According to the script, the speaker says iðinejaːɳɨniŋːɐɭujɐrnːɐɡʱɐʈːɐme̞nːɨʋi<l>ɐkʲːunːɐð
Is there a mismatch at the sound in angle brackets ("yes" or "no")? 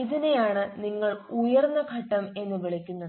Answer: yes